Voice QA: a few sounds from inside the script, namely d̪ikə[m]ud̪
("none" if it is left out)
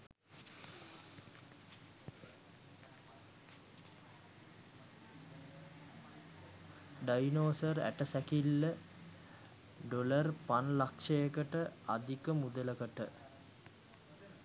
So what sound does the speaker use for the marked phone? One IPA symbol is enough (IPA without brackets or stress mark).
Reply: m